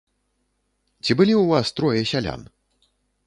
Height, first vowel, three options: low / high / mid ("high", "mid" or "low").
high